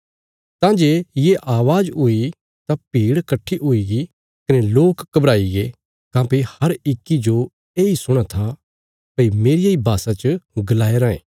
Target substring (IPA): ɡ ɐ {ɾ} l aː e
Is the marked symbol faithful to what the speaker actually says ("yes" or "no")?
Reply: no